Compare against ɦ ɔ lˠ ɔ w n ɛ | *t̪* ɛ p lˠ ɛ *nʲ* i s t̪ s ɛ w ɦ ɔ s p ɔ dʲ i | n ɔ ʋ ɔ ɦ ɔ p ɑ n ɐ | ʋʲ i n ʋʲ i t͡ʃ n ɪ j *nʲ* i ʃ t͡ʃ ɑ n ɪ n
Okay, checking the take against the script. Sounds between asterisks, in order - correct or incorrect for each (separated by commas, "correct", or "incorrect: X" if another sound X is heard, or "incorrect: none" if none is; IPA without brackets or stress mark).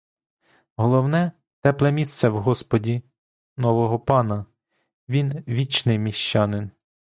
correct, incorrect: mʲ, incorrect: mʲ